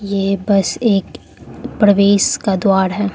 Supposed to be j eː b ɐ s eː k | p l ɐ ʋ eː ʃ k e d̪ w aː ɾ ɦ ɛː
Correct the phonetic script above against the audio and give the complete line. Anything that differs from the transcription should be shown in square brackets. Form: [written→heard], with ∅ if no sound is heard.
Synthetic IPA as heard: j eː b ɐ s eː k | p [l→ɾ] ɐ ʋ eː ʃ k [e→a] d̪ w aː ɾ ɦ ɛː